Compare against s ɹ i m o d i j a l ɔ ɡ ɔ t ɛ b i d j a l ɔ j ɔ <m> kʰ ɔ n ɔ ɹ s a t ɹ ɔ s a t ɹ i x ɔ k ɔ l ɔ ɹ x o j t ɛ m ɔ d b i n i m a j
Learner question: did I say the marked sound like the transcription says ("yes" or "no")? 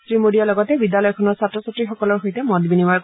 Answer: no